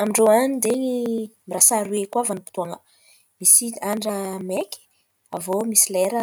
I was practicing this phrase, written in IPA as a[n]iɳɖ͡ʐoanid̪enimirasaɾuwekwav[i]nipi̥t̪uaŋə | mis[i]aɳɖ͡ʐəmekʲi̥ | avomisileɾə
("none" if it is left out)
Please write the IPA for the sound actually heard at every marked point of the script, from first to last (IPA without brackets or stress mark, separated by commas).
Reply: m, a, i